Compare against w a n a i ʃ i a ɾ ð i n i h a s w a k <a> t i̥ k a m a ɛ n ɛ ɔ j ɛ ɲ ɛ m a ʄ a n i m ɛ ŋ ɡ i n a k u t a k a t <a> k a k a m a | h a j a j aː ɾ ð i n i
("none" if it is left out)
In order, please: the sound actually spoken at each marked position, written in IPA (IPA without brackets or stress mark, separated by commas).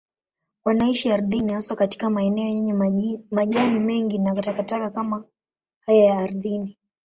a, a